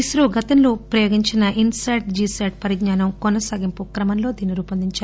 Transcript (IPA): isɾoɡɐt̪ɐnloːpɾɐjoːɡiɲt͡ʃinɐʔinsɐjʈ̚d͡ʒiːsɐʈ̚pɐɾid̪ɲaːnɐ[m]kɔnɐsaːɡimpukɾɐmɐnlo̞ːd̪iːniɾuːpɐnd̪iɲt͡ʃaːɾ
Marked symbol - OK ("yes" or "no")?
yes